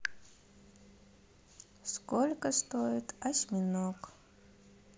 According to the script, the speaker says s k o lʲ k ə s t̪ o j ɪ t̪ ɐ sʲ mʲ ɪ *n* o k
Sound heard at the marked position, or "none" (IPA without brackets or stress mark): n